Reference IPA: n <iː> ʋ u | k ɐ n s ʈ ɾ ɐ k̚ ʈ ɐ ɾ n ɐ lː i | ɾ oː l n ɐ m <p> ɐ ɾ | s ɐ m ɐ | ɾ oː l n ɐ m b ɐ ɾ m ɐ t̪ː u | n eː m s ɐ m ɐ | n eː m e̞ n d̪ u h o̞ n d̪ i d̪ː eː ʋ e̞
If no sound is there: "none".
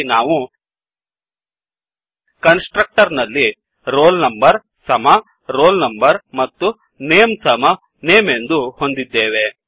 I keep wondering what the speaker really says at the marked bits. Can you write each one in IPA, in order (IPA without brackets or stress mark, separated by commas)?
aː, b